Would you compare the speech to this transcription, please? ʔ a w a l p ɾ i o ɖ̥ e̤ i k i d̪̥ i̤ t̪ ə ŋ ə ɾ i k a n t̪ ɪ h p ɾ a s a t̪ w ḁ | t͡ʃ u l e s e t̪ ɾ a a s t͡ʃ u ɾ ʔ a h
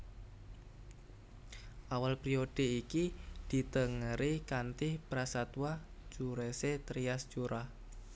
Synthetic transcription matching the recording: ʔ a w a l p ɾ i o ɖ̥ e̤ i k i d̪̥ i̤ t̪ ə ŋ ə ɾ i k a n t̪ ɪ h p ɾ a s a t̪ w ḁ | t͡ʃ u ɾ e s e t̪ ɾ i a s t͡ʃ u ɾ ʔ a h